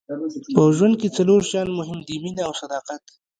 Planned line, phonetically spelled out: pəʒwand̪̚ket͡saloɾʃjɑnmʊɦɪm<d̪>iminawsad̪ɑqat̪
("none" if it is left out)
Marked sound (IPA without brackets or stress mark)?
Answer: d̪